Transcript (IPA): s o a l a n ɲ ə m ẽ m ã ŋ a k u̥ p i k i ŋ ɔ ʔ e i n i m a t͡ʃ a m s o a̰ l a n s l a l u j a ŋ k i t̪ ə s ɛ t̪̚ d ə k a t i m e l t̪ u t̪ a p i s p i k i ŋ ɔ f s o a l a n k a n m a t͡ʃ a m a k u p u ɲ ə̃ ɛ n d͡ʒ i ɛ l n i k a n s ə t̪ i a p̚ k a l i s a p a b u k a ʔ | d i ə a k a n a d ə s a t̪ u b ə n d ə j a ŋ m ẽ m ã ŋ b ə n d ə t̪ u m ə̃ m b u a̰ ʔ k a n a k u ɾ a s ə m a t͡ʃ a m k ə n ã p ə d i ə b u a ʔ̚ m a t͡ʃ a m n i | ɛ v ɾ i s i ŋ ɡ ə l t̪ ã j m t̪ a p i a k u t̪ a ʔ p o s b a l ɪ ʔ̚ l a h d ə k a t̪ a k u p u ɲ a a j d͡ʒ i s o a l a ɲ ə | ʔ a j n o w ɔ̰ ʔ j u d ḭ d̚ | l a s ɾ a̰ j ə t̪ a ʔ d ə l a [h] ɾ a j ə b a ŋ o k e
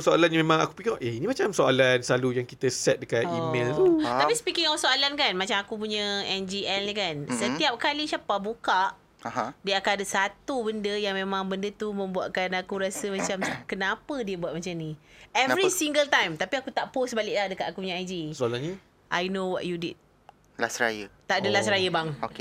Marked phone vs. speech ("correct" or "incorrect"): incorrect